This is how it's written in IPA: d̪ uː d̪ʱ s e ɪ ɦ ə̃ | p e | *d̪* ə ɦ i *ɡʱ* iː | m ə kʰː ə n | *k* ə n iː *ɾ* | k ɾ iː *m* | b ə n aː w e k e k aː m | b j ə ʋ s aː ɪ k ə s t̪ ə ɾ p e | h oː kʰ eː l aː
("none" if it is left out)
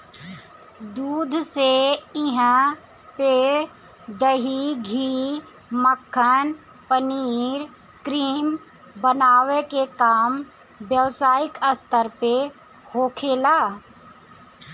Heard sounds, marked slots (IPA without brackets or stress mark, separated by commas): d̪, ɡʱ, p, ɾ, m